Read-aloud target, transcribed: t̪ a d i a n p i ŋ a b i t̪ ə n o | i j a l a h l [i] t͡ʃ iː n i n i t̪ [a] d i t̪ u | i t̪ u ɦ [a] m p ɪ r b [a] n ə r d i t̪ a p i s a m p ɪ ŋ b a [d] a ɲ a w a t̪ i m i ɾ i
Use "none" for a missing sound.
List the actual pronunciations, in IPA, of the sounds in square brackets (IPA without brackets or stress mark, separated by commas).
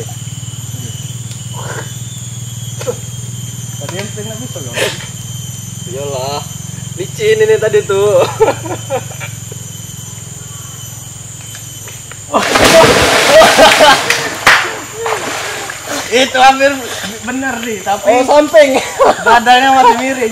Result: i, a, a, ə, d